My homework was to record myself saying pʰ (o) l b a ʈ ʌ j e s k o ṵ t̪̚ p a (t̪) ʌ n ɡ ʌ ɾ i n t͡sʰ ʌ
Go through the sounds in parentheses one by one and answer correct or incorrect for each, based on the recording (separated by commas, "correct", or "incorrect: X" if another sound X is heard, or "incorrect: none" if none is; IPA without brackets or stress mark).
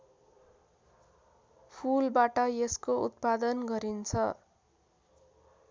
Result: incorrect: u, incorrect: d̪